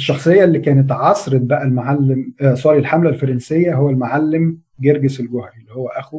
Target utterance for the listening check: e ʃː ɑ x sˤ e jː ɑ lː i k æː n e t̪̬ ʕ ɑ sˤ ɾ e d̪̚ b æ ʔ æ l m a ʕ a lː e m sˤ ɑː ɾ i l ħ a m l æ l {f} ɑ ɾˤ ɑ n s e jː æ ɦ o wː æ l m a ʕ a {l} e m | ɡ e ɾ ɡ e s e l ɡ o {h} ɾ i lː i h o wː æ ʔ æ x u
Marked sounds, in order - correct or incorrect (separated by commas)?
correct, incorrect, correct